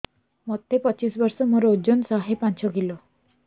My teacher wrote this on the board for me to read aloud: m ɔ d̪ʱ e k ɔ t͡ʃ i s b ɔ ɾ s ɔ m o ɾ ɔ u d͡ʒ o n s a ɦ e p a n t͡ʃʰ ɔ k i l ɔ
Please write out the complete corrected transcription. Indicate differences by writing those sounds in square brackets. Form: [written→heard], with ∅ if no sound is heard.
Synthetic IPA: m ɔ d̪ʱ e [k→p] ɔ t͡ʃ i s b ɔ ɾ s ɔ m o ɾ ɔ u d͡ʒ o n s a ɦ e p a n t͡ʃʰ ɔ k i l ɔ